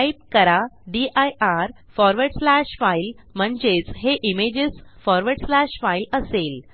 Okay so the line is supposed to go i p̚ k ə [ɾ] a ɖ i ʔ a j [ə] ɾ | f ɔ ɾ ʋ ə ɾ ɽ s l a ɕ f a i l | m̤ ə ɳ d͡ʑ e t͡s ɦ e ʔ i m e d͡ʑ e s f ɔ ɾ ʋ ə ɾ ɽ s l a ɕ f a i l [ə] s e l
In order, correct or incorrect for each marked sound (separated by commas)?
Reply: correct, incorrect, correct